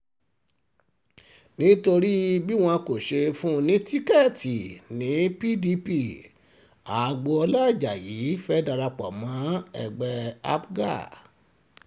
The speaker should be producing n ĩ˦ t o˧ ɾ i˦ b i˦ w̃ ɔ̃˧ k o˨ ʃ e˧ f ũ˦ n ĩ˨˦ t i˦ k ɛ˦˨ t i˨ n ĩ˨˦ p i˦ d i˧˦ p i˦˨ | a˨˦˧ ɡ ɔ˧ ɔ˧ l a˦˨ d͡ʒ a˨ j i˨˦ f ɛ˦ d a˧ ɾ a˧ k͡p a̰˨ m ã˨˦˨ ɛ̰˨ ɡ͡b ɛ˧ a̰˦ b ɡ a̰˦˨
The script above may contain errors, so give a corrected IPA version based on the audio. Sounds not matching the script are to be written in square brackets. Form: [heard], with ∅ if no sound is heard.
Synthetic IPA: n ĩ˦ t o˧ ɾ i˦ b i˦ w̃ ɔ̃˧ k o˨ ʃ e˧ f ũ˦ n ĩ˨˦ t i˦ k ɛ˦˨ t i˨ n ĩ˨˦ p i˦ d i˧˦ p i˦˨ | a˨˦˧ [ɡ͡b] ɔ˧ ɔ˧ l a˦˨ d͡ʒ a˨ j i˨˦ f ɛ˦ d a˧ ɾ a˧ k͡p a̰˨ m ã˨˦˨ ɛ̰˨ ɡ͡b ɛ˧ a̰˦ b ɡ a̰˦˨